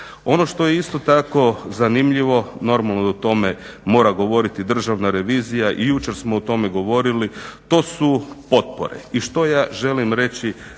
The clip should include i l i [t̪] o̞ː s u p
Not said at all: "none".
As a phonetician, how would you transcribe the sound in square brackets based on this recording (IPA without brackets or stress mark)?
t̪